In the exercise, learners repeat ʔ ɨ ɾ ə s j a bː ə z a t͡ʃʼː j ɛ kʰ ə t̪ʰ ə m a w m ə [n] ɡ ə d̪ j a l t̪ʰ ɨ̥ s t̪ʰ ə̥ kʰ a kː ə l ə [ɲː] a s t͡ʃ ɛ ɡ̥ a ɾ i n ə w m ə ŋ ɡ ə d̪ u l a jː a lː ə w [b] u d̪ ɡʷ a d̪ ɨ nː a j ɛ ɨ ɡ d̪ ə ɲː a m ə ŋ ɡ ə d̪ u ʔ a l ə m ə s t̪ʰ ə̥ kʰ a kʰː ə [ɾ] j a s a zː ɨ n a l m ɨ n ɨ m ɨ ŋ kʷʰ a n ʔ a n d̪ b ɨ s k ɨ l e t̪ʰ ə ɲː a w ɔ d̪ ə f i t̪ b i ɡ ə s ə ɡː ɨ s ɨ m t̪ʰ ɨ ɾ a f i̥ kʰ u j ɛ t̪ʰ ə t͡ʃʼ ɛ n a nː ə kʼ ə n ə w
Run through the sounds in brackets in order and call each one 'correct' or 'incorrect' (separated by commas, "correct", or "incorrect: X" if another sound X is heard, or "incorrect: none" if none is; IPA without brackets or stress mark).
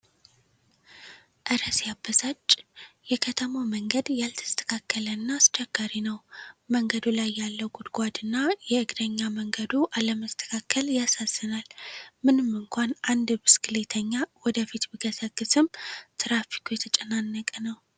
incorrect: ŋ, incorrect: nː, incorrect: ɡ, incorrect: l